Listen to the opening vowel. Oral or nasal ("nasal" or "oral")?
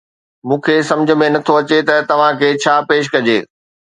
nasal